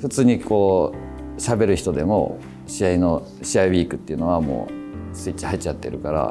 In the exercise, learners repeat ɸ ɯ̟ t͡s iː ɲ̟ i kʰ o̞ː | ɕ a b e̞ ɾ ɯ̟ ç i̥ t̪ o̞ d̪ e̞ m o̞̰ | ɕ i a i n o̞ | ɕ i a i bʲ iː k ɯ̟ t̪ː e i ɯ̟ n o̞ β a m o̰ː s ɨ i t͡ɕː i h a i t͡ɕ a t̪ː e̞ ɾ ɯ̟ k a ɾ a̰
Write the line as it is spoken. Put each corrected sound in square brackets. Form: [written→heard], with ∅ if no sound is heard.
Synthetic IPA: ɸ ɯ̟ t͡s [iː→ɨː] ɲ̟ i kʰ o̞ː | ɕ a b e̞ ɾ ɯ̟ ç i̥ t̪ o̞ d̪ e̞ m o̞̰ | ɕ i a i n o̞ | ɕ i a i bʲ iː k ɯ̟ t̪ː e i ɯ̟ n o̞ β a m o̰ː s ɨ i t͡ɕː i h a i t͡ɕ a t̪ː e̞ ɾ ɯ̟ k a ɾ a̰